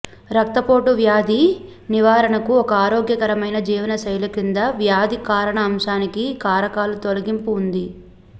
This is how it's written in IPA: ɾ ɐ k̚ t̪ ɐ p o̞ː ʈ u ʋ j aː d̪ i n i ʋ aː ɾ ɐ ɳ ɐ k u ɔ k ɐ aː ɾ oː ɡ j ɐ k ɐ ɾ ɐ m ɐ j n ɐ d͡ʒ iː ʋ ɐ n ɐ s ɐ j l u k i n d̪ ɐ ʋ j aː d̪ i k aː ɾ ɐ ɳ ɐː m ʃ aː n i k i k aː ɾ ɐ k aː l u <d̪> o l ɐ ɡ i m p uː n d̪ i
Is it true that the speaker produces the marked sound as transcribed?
no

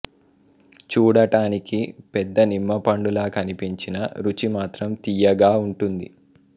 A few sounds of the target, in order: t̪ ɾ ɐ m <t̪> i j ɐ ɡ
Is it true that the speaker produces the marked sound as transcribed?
yes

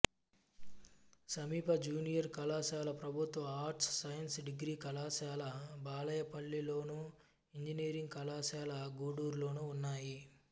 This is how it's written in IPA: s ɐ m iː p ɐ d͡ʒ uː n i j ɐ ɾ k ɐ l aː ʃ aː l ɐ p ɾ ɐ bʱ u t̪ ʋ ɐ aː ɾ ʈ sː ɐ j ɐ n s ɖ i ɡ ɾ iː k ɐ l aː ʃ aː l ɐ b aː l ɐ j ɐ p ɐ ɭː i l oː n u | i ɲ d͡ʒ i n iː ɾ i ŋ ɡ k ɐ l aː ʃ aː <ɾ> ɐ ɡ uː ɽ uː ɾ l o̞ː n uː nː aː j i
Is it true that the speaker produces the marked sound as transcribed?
no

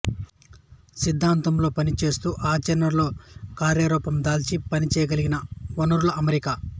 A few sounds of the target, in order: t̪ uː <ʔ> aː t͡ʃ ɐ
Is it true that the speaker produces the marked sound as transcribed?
yes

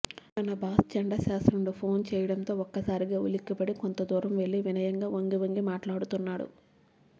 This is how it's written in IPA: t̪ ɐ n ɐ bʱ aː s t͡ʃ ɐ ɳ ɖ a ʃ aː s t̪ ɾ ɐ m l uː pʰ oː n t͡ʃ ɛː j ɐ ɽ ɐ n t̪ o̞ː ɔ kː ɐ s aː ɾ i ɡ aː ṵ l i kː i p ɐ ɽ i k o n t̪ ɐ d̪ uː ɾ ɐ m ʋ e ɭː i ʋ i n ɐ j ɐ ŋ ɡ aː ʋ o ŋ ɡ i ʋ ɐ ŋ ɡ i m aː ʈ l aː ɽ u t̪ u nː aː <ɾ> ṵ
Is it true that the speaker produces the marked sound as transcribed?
no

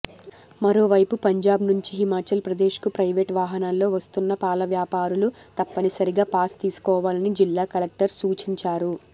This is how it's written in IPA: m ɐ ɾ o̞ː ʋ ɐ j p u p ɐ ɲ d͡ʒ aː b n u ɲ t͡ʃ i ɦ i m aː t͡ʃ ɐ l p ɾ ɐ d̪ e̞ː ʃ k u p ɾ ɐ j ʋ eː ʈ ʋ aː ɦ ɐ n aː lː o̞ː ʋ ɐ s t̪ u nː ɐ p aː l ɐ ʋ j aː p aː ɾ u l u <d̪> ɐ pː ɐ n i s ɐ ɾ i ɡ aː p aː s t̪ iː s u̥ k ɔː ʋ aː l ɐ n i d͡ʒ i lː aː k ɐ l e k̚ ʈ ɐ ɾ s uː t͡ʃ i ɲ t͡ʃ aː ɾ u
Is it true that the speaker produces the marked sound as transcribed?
no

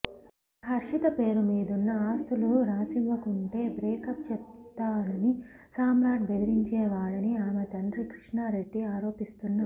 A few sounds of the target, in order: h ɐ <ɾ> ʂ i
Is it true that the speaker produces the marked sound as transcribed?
yes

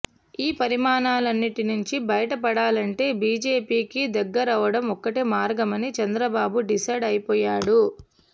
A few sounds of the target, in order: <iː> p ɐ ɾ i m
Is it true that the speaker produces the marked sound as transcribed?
yes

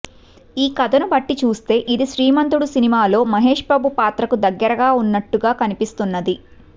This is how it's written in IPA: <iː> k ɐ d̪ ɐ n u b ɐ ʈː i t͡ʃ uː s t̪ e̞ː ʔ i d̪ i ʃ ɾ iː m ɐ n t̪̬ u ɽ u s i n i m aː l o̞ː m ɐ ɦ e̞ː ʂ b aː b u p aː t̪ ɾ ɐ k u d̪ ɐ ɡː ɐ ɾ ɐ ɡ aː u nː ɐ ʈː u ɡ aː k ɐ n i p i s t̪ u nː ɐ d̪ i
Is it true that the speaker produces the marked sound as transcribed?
yes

